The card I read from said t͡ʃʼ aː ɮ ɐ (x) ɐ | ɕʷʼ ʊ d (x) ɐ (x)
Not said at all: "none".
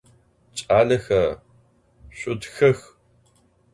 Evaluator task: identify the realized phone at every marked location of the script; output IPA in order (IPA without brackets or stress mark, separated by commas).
x, x, x